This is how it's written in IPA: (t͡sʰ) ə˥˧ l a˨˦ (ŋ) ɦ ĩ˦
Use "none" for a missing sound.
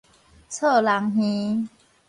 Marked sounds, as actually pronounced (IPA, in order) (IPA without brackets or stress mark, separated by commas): t͡sʰ, ŋ